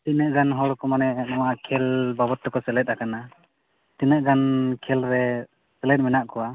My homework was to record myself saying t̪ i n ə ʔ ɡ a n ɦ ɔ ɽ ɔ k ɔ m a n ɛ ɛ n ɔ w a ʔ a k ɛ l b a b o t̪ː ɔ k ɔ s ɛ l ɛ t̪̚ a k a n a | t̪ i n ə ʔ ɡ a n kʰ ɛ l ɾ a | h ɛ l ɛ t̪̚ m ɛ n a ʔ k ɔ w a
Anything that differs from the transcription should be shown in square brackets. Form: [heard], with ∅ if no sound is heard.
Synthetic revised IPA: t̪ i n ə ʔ ɡ a n ɦ ɔ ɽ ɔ k ɔ m a n ɛ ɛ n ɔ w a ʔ a [kʰ] ɛ l b a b [ɔ] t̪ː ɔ k ɔ s ɛ l ɛ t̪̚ a k a n a | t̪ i n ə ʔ ɡ a n kʰ ɛ l ɾ [ɛ] | [s] ɛ l ɛ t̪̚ m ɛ n a ʔ k ɔ w a